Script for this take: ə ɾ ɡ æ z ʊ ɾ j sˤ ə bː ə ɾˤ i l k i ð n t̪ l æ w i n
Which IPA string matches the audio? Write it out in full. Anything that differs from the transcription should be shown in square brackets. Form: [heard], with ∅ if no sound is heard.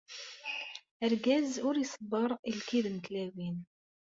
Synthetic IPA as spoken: ə ɾ ɡ æ z ʊ ɾ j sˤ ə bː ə ɾˤ i l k i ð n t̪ l æ w i n